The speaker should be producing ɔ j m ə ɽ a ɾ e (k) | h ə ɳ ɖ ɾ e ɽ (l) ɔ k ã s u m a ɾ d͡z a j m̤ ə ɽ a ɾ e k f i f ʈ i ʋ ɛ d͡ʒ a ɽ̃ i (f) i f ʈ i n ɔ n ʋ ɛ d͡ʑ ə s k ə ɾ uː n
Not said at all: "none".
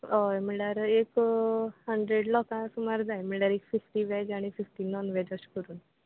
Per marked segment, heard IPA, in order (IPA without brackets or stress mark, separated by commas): k, l, f